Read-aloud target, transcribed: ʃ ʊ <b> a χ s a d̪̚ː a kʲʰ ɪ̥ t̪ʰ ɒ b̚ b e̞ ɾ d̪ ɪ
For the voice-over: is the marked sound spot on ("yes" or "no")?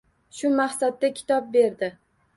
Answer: no